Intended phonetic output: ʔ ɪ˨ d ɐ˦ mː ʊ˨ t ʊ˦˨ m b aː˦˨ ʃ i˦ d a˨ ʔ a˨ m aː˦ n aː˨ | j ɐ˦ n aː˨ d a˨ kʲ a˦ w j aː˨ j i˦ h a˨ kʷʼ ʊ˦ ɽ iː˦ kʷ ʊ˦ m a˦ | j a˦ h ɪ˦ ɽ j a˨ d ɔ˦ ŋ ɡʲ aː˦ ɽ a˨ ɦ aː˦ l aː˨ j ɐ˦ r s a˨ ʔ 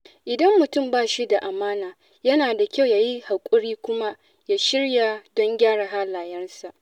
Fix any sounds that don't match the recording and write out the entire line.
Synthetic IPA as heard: ʔ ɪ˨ d ɐ˦ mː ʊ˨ t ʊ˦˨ m b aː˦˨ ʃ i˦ d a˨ ʔ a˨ m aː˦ n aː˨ | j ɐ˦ n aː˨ d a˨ kʲ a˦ w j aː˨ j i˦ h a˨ kʷʼ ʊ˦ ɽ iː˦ kʷ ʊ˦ m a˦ | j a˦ ʃ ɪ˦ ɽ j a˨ d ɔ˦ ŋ ɡʲ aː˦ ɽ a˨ ɦ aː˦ l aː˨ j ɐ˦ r s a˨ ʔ